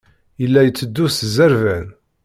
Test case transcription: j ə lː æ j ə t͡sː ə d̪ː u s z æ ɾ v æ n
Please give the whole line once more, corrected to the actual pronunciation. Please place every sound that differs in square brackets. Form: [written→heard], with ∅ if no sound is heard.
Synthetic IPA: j ə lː æ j ə t͡sː ə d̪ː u s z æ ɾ v æ n